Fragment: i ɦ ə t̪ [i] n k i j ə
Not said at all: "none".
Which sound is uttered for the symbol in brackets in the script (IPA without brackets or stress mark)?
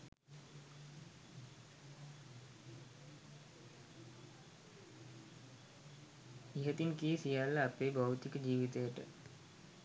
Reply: i